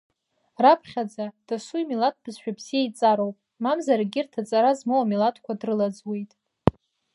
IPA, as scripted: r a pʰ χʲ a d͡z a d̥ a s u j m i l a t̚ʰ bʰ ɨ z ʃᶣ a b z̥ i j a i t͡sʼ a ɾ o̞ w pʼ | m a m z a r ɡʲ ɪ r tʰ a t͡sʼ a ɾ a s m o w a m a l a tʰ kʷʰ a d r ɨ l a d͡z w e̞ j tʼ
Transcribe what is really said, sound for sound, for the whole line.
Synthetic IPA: r a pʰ χʲ a d͡z a d̥ a s u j m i l a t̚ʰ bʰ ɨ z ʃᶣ a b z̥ i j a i t͡sʼ a ɾ o̞ w pʼ | m a m z a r ɡʲ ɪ r tʰ a t͡sʼ a ɾ a z m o w a m i l a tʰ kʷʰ a d r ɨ l a d͡z w e̞ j tʼ